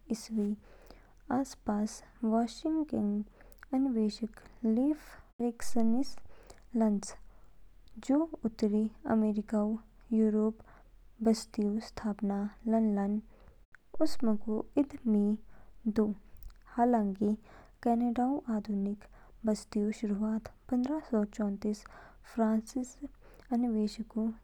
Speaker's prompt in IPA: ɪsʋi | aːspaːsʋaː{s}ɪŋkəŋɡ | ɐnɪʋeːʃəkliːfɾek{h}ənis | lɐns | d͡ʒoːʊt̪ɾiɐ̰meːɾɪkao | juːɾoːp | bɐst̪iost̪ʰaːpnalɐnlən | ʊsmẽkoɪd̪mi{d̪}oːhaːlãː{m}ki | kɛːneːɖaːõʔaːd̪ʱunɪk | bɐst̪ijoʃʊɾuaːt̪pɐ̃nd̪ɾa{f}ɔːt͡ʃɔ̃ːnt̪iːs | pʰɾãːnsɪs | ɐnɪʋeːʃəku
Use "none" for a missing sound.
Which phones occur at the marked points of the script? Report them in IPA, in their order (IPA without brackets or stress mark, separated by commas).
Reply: ʃ, s, d̪, ŋ, s